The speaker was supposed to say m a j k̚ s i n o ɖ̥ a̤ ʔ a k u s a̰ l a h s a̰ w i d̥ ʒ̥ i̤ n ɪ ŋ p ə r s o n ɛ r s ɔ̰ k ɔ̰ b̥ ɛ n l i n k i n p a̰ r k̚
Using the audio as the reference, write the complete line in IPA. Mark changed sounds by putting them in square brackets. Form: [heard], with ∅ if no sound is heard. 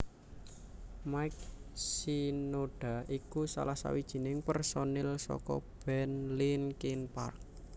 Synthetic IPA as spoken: m a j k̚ s i n o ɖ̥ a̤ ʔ [i] k u s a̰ l a h s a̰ w i d̥ ʒ̥ i̤ n ɪ ŋ p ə r s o n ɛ [l] s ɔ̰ k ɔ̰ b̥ ɛ n l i n k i n p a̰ r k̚